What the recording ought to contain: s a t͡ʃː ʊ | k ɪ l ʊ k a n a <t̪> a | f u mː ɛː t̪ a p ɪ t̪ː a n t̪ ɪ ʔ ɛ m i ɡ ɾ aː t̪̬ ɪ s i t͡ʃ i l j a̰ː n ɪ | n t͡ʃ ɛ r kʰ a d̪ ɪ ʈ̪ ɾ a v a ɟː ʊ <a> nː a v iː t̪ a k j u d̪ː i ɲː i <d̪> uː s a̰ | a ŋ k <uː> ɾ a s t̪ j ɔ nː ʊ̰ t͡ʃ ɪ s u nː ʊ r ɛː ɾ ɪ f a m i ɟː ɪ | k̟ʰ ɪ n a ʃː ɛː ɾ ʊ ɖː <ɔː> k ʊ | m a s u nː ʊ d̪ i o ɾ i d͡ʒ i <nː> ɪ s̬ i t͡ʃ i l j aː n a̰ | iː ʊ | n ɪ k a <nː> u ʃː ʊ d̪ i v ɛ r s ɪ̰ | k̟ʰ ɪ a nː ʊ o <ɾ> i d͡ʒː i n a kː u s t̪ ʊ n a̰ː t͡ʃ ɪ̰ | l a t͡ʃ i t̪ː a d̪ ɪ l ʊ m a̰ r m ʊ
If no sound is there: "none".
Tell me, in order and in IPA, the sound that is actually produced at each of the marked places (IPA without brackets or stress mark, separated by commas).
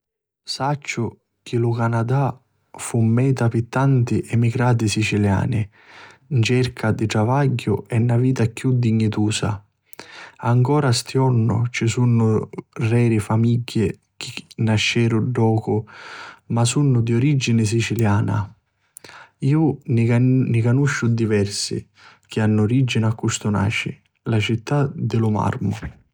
d̪, ɛ, t̪, ɔː, ɔː, n, n, ɾ